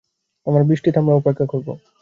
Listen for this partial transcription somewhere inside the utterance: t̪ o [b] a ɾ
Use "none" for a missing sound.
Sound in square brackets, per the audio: m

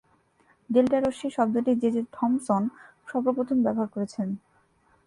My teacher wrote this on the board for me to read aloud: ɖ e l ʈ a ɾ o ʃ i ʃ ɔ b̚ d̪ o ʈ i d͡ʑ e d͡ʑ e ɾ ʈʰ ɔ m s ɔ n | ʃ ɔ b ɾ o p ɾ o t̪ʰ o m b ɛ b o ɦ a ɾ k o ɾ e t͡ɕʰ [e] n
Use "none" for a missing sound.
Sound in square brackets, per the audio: e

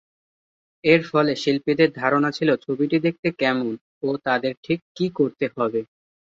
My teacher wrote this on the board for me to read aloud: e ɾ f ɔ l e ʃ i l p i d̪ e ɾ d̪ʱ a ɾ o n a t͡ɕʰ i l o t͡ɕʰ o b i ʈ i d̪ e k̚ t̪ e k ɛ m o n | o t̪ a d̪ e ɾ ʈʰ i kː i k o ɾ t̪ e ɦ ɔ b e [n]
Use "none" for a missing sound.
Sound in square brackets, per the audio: none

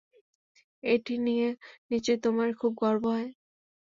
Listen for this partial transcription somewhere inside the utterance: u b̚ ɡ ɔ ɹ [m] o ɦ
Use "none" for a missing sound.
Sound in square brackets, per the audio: b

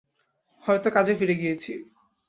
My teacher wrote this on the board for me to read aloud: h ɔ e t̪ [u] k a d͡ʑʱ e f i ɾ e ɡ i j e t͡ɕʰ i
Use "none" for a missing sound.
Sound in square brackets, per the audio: o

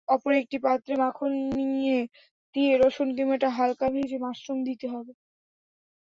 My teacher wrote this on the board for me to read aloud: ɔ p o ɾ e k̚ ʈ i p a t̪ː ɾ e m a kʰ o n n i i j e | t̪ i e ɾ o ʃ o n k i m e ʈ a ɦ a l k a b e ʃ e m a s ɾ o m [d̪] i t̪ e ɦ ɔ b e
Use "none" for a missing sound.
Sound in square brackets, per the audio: d̪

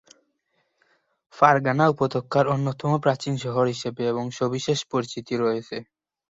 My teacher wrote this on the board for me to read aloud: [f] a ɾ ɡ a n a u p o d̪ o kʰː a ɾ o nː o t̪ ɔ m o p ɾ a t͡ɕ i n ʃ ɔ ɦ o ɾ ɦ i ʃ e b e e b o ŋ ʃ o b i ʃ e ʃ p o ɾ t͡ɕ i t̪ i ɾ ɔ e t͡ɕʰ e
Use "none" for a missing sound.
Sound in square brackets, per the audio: f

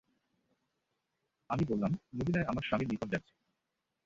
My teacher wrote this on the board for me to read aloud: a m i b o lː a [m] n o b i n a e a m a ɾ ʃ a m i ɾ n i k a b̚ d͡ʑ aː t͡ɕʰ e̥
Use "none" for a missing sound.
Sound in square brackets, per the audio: m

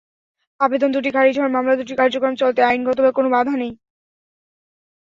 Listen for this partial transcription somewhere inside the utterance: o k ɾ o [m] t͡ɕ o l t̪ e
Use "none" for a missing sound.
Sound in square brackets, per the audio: m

